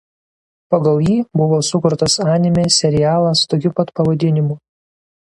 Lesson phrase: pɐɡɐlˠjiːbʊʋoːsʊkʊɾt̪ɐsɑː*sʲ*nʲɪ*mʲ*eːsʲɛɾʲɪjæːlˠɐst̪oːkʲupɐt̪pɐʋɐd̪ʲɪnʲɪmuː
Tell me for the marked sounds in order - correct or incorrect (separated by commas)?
incorrect, correct